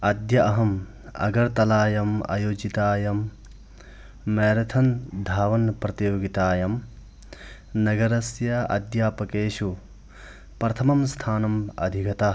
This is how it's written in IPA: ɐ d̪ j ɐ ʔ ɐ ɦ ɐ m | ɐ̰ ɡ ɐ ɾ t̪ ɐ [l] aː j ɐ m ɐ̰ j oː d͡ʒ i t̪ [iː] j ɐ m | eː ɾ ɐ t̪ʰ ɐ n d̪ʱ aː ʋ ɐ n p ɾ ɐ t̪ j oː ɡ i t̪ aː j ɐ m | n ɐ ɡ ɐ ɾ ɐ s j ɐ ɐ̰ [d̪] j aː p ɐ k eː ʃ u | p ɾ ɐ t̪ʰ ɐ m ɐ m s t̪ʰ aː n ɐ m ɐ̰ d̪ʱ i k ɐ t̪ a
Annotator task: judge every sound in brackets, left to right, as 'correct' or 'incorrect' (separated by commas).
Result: correct, incorrect, correct